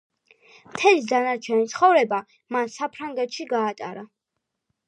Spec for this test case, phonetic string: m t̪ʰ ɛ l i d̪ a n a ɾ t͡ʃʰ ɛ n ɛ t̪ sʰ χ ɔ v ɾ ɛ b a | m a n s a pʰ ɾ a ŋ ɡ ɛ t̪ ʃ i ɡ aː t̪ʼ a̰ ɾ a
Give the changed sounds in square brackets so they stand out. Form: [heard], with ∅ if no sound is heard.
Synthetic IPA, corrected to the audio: m t̪ʰ ɛ l i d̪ a n a ɾ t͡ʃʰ ɛ n [i] t̪ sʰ χ ɔ v ɾ ɛ b a | m a n s a pʰ ɾ a ŋ ɡ ɛ t̪ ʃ i ɡ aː t̪ʼ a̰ ɾ a